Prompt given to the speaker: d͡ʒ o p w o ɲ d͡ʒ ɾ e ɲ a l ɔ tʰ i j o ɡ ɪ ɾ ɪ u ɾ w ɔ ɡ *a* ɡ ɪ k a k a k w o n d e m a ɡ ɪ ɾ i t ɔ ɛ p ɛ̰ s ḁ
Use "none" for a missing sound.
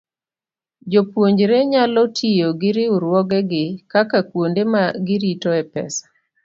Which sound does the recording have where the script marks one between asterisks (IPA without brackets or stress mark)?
ɛ